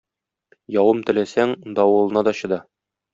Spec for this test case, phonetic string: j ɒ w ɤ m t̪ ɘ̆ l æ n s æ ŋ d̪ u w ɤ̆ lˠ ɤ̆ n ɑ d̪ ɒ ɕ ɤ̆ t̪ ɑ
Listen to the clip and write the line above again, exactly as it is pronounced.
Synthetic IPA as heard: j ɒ w ɤ m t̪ ɘ̆ l æ s æ ŋ d̪ ɒ w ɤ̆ lˠ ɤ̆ n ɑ d̪ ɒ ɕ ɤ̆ d̪ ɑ